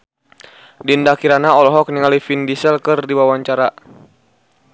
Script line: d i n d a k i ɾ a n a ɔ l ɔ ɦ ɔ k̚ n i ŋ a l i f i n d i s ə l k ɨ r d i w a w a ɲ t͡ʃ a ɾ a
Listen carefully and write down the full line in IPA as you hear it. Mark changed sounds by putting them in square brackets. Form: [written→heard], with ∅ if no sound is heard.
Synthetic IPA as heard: d i n d a k i ɾ a n a ɔ l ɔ ɦ ɔ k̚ n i ŋ a l i f i n d i s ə l k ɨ r d i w a w a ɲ t͡ʃ a ɾ a